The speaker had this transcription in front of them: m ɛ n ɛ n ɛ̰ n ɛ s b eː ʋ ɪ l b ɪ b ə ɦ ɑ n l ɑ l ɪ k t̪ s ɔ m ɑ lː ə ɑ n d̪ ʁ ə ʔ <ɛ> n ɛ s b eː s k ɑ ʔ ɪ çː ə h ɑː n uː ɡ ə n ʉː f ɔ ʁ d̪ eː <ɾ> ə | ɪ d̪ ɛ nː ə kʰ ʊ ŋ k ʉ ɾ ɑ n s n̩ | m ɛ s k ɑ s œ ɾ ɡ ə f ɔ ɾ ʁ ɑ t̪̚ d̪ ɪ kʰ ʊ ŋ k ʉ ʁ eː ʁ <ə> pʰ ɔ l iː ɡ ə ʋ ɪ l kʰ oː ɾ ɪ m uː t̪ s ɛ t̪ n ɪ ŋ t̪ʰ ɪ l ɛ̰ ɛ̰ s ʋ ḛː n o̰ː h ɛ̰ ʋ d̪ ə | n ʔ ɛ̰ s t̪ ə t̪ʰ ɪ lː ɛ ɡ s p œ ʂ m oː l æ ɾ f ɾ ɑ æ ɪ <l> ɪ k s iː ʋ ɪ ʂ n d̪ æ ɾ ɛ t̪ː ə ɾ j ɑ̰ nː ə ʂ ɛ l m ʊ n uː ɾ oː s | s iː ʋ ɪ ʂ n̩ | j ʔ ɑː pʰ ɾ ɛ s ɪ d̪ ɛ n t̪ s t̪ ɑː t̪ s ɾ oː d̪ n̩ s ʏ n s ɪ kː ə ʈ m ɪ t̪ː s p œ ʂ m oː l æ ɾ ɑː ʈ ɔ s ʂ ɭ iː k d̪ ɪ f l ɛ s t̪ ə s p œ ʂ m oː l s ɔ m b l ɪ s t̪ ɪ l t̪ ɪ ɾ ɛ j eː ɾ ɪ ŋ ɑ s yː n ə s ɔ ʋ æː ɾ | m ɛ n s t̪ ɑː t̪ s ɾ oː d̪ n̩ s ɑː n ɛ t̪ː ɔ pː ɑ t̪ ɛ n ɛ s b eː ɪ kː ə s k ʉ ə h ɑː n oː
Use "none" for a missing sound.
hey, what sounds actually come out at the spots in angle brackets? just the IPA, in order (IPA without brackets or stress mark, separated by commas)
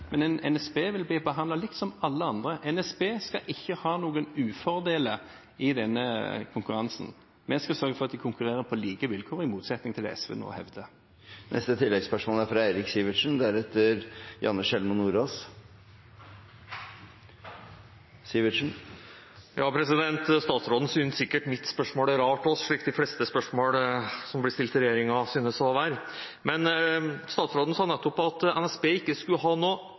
ɛ, l, ə, ɾ